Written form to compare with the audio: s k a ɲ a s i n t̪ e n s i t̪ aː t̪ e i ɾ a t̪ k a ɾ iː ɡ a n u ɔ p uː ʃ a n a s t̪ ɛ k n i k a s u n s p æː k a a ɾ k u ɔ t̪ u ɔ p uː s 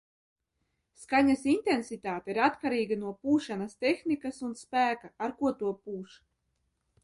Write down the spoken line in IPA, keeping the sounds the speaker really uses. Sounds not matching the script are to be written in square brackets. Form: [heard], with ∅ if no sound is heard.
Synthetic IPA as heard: s k a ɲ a s i n t̪ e n s i t̪ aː t̪ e i ɾ a t̪ k a ɾ iː ɡ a n u ɔ p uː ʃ a n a s t̪ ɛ [x] n i k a s u n s p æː k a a ɾ k u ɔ t̪ u ɔ p uː [ʃ]